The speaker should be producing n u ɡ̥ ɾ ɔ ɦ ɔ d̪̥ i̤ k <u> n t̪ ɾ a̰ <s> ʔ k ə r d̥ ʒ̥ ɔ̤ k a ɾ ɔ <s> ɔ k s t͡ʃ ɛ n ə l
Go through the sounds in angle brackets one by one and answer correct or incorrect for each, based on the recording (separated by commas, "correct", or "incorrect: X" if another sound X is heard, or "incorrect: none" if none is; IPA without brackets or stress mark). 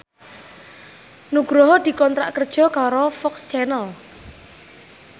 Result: incorrect: ɔ, incorrect: none, incorrect: f